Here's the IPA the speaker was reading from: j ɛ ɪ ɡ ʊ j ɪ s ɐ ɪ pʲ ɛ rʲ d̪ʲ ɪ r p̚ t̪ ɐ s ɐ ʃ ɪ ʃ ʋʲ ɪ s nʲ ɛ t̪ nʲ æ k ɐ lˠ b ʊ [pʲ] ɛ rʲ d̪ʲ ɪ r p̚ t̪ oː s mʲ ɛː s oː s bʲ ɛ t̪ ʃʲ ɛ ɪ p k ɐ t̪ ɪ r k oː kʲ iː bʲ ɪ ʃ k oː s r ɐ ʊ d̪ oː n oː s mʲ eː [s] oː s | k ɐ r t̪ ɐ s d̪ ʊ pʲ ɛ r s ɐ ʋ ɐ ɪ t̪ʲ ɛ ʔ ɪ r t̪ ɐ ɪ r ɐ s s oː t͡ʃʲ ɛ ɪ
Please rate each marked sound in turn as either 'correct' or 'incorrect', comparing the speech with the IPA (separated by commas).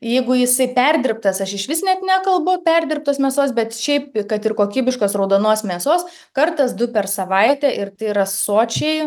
correct, correct